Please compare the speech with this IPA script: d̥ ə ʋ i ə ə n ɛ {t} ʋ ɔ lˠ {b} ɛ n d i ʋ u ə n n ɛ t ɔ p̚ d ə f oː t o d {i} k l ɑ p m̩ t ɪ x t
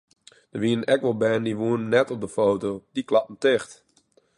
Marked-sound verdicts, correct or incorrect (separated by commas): incorrect, correct, correct